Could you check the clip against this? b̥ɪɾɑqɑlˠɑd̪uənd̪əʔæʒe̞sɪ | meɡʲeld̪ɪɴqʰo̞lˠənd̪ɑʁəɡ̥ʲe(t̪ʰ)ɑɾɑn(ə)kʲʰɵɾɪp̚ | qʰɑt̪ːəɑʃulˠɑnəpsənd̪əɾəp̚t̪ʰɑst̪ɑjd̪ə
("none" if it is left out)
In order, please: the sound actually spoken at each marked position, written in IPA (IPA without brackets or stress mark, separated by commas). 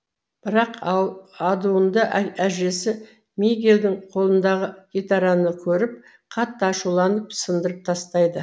t̪, ə